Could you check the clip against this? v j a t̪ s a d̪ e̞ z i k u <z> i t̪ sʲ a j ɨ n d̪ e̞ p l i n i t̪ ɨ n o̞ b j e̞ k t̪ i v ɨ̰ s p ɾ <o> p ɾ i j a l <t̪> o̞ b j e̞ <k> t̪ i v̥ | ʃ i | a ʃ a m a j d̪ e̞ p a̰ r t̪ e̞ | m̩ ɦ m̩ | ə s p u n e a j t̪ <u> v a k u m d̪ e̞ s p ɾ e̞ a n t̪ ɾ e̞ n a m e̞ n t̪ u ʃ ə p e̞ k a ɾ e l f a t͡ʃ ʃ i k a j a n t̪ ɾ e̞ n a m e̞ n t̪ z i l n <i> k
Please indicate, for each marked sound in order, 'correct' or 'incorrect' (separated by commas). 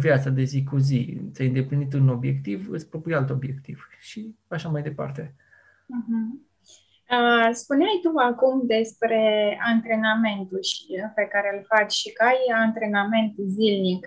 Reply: correct, correct, correct, correct, correct, correct